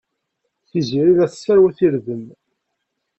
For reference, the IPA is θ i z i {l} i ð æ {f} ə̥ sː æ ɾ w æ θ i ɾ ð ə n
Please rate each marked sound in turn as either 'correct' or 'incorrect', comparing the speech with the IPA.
incorrect, incorrect

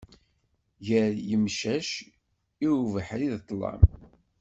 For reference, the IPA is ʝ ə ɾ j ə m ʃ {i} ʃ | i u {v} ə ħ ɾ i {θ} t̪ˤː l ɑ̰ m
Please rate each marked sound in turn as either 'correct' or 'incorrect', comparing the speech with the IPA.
incorrect, correct, incorrect

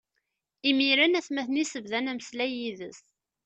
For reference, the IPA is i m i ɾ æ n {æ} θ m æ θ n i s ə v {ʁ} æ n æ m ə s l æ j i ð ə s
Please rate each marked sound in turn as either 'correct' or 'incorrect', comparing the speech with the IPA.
correct, incorrect

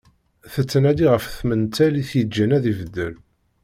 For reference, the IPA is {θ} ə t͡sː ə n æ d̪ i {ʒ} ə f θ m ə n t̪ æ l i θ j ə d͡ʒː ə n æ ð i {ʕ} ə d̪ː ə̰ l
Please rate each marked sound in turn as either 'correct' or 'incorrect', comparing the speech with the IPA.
correct, incorrect, incorrect

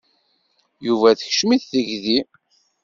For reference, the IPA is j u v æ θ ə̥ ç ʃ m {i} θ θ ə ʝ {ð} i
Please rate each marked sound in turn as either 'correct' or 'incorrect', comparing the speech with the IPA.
correct, correct

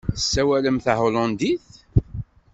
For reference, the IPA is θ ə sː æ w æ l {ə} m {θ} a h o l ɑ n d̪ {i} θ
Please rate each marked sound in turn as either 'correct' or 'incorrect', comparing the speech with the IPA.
correct, correct, correct

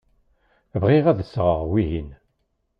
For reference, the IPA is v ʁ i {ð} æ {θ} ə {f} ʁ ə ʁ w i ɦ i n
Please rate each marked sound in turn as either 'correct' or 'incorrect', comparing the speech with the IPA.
incorrect, incorrect, incorrect

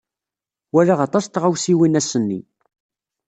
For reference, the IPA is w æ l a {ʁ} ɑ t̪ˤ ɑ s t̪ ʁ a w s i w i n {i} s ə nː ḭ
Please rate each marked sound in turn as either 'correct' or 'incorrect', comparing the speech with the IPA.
correct, incorrect

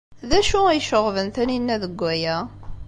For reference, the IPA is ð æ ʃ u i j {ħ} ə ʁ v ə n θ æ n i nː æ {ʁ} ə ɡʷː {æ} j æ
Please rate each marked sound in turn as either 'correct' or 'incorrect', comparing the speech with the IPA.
incorrect, incorrect, correct

